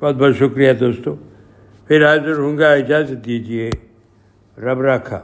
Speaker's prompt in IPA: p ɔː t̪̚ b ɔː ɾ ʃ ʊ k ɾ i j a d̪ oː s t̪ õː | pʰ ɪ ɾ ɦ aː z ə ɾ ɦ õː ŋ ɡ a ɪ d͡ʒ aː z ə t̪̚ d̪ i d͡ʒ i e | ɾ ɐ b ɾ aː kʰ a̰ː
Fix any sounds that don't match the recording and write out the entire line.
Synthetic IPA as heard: b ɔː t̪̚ b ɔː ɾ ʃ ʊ k ɾ i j a d̪ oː s t̪ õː | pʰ ɪ ɾ ɦ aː z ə ɾ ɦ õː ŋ ɡ a ɪ d͡ʒ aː z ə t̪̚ d̪ i d͡ʒ i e | ɾ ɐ b ɾ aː kʰ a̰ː